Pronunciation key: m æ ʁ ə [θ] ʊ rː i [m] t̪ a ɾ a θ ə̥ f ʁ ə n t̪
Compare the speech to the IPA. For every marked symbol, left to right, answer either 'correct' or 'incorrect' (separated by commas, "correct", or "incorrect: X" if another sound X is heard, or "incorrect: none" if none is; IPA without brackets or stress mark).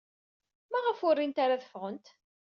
incorrect: f, incorrect: n